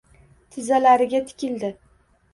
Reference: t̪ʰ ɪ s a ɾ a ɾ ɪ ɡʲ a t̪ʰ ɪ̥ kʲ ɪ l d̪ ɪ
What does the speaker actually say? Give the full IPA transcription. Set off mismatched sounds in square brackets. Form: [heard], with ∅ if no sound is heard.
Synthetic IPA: t̪ʰ ɪ [z] a [l] a ɾ ɪ ɡʲ a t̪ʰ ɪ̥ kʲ ɪ l d̪ ɪ